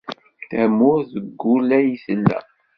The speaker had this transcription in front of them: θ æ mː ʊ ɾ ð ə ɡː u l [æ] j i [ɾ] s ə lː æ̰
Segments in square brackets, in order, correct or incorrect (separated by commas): correct, incorrect